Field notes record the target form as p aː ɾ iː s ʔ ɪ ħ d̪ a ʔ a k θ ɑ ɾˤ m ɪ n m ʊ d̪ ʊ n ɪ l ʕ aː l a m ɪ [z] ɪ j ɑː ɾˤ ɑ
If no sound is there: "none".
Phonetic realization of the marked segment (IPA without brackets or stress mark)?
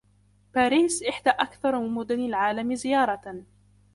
z